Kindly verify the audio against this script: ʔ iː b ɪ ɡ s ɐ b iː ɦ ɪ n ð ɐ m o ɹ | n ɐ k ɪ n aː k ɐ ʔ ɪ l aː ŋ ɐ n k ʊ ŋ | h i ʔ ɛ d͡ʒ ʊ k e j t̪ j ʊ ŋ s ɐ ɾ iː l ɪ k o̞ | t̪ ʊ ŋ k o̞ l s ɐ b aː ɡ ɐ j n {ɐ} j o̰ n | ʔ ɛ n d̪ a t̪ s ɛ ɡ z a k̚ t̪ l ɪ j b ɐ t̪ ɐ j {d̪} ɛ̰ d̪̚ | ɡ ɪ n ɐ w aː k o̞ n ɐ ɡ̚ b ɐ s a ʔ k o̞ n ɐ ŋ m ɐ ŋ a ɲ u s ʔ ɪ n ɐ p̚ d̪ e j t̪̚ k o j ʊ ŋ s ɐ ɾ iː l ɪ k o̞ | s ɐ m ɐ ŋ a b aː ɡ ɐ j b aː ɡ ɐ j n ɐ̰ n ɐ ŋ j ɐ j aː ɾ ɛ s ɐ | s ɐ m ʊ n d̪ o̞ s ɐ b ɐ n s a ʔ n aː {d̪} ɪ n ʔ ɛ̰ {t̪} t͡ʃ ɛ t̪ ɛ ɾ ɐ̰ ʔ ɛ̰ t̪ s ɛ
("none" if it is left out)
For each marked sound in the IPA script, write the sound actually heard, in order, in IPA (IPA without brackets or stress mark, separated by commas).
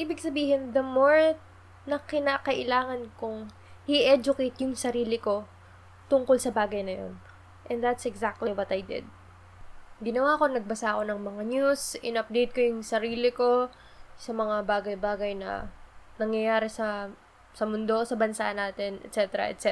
ɐ, d̪, t̪, t̪